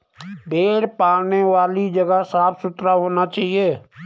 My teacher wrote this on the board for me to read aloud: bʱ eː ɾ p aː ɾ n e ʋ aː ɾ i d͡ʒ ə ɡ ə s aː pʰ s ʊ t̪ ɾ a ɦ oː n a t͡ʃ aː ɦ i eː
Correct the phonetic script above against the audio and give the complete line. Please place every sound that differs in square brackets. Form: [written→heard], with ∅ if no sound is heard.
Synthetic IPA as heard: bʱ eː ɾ p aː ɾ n e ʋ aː [ɾ→l] i d͡ʒ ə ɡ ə s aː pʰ s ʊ t̪ ɾ a ɦ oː n a t͡ʃ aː ɦ i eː